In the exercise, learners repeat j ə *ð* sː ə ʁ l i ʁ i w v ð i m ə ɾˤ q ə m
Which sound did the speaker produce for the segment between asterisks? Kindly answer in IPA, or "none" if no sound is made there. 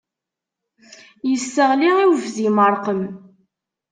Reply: none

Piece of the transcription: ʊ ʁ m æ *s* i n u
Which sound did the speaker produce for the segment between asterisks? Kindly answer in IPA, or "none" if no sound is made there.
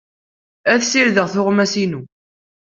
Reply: s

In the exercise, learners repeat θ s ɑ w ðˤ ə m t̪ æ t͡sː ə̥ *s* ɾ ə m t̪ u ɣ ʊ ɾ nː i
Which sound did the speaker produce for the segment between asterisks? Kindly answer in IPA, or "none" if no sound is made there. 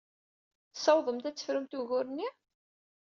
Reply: f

